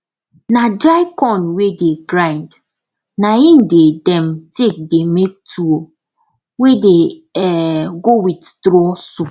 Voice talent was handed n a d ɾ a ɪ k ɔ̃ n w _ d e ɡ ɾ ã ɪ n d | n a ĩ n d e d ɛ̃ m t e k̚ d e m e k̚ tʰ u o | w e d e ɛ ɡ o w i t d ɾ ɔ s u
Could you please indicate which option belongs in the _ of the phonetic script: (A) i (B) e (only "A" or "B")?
B